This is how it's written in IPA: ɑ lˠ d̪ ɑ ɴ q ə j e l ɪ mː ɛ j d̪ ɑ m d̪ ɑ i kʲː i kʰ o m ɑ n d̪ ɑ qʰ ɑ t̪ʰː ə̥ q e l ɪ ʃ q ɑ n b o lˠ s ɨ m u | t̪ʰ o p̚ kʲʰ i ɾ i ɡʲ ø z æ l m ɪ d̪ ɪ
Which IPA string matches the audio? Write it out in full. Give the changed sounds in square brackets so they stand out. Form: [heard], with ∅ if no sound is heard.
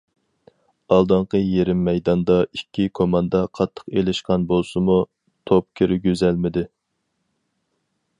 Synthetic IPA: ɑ lˠ d̪ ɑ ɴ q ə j e [ɾ] ɪ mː ɛ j d̪ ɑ [n] d̪ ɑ i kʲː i kʰ o m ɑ n d̪ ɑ qʰ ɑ t̪ʰː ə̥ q e l ɪ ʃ q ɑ n b o lˠ s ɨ m u | t̪ʰ o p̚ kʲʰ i ɾ [ɪ] ɡʲ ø z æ l m ɪ d̪ ɪ